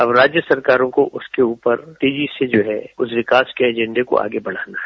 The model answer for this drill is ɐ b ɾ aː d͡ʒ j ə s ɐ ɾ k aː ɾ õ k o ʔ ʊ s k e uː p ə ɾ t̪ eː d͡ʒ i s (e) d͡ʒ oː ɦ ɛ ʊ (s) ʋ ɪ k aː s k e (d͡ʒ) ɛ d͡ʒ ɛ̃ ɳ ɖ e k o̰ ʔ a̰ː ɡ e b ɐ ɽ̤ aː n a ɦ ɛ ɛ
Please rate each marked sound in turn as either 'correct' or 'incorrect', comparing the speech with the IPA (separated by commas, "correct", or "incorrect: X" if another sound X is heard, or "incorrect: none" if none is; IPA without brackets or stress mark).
correct, correct, incorrect: none